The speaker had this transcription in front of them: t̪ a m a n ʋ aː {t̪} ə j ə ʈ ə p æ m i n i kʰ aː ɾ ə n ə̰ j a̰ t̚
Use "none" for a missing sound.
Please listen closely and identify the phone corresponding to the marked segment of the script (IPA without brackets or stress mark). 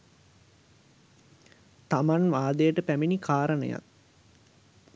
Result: d̪